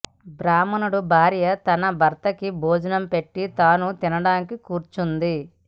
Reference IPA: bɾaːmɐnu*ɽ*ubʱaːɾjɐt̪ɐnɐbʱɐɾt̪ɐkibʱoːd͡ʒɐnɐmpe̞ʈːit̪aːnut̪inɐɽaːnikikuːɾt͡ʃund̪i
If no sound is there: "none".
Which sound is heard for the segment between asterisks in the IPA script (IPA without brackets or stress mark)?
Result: ɽ